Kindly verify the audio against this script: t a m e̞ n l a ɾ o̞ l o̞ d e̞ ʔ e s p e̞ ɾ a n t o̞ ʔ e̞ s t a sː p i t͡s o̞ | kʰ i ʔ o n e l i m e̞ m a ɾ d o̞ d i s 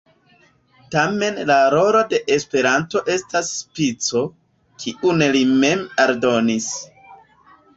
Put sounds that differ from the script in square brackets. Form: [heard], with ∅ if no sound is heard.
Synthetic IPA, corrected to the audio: t a m e̞ n l a ɾ o̞ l o̞ d e̞ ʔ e s p e̞ ɾ a n t o̞ ʔ e̞ s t a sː p i t͡s o̞ | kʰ i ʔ [u] n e l i m e̞ m a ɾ d o̞ [n] i s